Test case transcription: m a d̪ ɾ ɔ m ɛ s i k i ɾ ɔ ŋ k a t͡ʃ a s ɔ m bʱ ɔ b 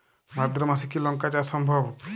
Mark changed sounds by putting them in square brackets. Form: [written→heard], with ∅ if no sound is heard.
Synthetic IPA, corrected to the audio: m a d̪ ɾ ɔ m [ɛ→a] s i k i [ɾ→l] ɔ ŋ k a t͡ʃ a s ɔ m bʱ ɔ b